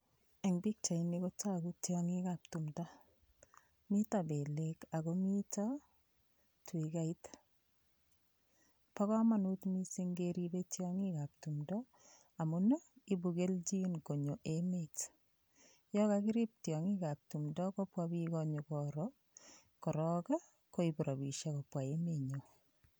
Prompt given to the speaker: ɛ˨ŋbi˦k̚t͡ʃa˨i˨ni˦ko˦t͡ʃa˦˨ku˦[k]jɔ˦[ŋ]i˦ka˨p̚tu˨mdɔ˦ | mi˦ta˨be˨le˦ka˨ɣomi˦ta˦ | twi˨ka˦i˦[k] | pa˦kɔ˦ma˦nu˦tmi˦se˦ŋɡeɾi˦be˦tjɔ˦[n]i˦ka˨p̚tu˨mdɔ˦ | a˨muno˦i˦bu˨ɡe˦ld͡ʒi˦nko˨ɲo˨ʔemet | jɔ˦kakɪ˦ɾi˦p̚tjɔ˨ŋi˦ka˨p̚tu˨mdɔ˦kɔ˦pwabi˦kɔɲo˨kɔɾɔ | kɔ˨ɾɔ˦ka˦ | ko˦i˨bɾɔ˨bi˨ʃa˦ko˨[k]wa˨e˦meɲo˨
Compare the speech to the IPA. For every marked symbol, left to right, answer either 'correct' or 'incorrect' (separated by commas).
incorrect, correct, incorrect, incorrect, incorrect